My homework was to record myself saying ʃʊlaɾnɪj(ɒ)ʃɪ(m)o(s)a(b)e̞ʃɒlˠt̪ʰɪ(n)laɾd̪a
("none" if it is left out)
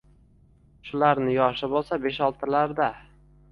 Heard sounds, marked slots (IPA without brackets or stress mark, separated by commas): ɒ, b, s, b, none